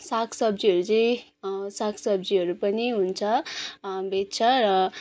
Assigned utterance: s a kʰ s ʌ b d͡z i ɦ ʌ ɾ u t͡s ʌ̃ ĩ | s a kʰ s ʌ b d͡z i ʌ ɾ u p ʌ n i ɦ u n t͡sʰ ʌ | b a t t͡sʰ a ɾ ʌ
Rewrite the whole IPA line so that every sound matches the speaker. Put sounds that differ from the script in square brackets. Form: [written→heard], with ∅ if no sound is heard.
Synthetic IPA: s a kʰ s ʌ b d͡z i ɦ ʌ ɾ u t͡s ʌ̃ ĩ | s a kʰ s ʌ b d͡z i ʌ ɾ u p ʌ n i ɦ u n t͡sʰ ʌ | b [a→e] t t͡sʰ [a→ʌ] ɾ ʌ